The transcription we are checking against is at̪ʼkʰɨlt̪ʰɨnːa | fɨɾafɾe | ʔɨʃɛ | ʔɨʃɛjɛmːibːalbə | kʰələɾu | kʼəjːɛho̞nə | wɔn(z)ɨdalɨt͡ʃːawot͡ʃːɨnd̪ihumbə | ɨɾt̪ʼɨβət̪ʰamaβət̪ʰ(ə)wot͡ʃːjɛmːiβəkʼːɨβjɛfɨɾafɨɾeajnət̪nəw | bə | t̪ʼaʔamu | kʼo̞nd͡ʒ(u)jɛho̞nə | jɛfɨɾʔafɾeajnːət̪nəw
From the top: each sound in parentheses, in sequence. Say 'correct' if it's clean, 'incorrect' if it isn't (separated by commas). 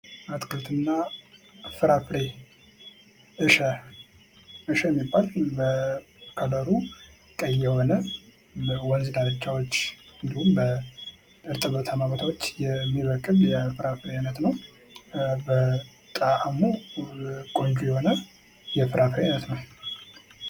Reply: correct, incorrect, correct